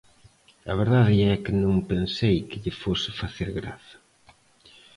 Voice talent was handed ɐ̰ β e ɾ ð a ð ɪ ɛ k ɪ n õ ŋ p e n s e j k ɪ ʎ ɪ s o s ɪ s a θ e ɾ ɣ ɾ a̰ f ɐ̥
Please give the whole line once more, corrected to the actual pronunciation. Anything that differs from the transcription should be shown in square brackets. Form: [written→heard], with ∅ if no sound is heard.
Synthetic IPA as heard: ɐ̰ β e ɾ ð a ð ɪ ɛ k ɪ n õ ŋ p e n s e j k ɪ ʎ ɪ [s→f] o s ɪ [s→f] a θ e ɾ ɣ ɾ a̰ [f→θ] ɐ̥

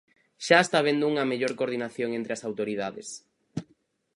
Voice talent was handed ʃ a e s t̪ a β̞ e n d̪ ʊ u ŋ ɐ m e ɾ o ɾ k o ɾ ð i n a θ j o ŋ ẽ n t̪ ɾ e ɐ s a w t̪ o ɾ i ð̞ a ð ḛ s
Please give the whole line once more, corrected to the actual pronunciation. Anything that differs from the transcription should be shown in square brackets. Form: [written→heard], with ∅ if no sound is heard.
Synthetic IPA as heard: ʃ a e s t̪ a β̞ e n d̪ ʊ u ŋ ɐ m e [ɾ→ʎ] o ɾ k o ɾ ð i n a θ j o ŋ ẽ n t̪ ɾ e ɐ s a w t̪ o ɾ i ð̞ a ð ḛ s

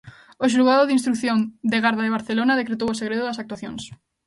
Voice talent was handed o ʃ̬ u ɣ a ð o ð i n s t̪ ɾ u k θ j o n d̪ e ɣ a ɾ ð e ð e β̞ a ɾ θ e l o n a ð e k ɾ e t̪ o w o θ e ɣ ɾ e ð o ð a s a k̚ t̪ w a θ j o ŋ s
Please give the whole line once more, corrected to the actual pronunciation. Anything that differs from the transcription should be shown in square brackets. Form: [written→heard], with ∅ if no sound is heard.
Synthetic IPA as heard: o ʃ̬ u ɣ a ð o ð i n s t̪ ɾ u k θ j o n d̪ e ɣ a ɾ ð [e→a] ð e β̞ a ɾ θ e l o n a ð e k ɾ e t̪ o w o [θ→s] e ɣ ɾ e ð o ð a s a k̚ t̪ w a θ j o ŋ s

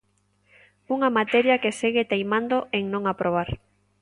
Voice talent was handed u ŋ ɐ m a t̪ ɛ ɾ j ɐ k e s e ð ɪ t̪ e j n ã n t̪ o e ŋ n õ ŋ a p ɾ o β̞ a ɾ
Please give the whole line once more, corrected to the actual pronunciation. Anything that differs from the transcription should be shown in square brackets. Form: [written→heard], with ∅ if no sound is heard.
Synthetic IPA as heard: u ŋ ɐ m a t̪ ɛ ɾ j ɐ k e s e [ð→ɣ] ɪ t̪ e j [n→m] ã n [t̪→d̪] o e ŋ n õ ŋ a p ɾ o β̞ a ɾ

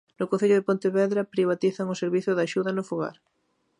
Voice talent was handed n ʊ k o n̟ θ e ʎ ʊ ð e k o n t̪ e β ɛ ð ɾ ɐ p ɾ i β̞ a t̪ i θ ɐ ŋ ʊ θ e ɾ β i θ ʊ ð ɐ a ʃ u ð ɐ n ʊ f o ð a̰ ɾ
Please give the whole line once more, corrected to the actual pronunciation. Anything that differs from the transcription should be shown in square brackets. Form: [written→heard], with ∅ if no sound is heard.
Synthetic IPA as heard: n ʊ k o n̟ θ e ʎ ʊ ð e [k→p] o n t̪ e β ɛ ð ɾ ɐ p ɾ i β̞ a t̪ i θ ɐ ŋ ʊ [θ→s] e ɾ β i θ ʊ ð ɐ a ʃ u ð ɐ n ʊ f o [ð→ɣ] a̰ ɾ

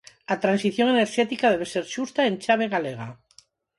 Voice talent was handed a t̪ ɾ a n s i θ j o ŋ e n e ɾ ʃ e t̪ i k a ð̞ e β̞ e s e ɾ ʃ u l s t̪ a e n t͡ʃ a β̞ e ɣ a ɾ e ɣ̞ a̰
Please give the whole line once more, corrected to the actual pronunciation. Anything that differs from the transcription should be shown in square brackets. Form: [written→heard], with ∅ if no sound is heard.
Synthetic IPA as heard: a t̪ ɾ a n s i θ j o ŋ e n e ɾ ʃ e t̪ i k a ð̞ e β̞ e s e ɾ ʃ u [l→∅] s t̪ a e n t͡ʃ a β̞ e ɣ a [ɾ→l] e ɣ̞ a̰

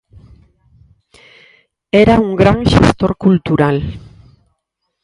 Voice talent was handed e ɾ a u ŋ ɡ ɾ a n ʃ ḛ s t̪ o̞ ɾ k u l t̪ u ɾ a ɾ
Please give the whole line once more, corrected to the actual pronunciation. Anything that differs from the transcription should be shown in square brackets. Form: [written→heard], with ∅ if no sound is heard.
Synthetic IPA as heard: e ɾ a u ŋ ɡ ɾ a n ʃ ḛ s t̪ o̞ ɾ k u l t̪ u ɾ a [ɾ→l]

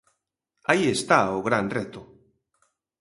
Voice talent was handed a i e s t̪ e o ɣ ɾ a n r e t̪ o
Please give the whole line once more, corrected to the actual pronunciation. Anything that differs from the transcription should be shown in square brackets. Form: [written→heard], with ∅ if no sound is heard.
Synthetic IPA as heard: a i e s t̪ [e→a] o ɣ ɾ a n r e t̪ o

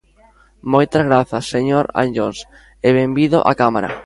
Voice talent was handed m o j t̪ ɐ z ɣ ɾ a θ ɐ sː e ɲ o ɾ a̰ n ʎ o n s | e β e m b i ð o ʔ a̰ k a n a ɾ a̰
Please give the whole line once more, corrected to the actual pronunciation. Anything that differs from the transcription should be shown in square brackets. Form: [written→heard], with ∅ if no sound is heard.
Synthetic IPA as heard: m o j t̪ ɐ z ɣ ɾ a θ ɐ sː e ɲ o ɾ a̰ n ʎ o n s | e β e m b i ð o ʔ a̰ k a [n→m] a ɾ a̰

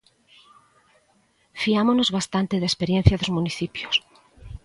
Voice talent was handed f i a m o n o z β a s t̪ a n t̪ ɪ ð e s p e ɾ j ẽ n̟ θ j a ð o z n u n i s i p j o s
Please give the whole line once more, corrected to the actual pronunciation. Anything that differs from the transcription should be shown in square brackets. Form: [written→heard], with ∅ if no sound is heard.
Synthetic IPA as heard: f i a m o n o z β a s t̪ a n t̪ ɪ ð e s p e ɾ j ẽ n̟ θ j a ð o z [n→m] u n i [s→θ] i p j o s

